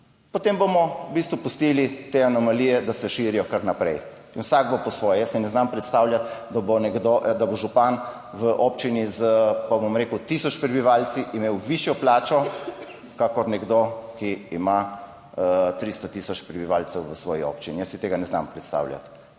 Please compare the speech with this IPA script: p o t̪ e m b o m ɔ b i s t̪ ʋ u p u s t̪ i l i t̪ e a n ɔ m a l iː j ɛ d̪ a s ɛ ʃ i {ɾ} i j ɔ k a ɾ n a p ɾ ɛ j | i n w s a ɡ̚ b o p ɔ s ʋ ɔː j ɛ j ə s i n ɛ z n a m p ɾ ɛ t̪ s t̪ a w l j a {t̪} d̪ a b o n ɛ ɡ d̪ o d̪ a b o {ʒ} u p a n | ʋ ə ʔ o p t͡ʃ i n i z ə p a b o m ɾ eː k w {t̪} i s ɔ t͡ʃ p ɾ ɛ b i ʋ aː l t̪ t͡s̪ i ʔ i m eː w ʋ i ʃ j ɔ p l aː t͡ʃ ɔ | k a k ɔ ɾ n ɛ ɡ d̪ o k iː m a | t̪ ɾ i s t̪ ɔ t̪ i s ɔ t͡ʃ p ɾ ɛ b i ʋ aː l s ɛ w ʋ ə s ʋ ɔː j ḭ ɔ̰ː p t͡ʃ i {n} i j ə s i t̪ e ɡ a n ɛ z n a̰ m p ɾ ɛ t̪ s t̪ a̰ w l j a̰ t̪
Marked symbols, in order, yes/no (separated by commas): yes, yes, yes, yes, yes